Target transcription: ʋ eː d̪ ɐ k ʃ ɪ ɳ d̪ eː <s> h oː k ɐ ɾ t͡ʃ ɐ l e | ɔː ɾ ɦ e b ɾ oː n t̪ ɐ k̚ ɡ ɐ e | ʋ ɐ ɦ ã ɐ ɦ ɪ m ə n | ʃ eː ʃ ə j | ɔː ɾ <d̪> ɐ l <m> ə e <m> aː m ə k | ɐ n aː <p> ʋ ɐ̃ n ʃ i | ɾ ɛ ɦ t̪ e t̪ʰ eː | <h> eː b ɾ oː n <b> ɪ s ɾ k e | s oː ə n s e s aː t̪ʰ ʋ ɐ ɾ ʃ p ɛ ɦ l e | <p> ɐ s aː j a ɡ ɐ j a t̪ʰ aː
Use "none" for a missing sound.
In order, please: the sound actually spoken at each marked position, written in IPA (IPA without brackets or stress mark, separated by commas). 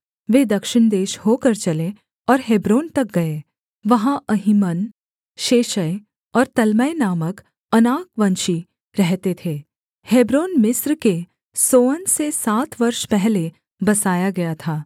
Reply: ʃ, t̪, m, n, k, h, m, b